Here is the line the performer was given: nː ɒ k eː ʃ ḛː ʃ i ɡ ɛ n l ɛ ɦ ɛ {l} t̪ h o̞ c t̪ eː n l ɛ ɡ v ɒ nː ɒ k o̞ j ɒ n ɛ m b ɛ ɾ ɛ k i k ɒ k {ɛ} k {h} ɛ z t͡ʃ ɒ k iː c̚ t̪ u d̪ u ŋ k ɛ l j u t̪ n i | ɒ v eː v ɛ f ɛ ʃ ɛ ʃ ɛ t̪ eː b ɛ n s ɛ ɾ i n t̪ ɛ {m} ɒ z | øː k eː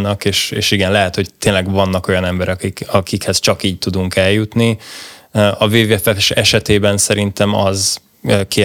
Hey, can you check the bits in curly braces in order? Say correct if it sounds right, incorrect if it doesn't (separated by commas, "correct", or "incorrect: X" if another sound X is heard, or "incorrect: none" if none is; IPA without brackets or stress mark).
incorrect: none, incorrect: i, correct, correct